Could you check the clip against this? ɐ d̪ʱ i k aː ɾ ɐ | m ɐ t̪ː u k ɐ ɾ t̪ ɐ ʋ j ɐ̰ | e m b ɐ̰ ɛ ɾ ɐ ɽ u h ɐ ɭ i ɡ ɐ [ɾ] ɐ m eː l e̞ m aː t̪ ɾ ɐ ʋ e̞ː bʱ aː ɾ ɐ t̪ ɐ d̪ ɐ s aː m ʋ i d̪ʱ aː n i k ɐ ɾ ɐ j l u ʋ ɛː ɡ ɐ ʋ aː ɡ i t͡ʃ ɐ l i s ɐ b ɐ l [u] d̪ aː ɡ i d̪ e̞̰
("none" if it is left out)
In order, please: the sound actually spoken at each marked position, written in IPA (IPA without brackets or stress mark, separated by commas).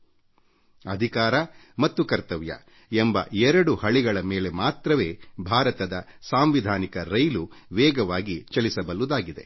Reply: ɭ, u